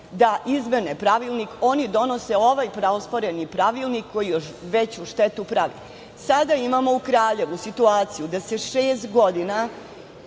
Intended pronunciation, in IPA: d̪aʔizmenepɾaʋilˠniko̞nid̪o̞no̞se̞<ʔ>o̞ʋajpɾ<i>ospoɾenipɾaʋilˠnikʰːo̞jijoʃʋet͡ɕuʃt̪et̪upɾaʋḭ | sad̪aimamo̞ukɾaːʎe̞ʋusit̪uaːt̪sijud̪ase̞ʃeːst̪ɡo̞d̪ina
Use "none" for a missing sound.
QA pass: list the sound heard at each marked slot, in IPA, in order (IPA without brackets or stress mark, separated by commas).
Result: none, a